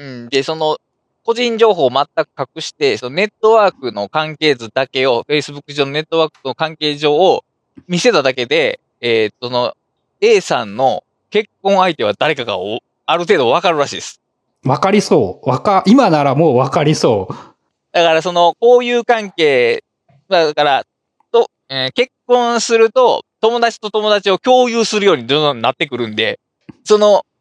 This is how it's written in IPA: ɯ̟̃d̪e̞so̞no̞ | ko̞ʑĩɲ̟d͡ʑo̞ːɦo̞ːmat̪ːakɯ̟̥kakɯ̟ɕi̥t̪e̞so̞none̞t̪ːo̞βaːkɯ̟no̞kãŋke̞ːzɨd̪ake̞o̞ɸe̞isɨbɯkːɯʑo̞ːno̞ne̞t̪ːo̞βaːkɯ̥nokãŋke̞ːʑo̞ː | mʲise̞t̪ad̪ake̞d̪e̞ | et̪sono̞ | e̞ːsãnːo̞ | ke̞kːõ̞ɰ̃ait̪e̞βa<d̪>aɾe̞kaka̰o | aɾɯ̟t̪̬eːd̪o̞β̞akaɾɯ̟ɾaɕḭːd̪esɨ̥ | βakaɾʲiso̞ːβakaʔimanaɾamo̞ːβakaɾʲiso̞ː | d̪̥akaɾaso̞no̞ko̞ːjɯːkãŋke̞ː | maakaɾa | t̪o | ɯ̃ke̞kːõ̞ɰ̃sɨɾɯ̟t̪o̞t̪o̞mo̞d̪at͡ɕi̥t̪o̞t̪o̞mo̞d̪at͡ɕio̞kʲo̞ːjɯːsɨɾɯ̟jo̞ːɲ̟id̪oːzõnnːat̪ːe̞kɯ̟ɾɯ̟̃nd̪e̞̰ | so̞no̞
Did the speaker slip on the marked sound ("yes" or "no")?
no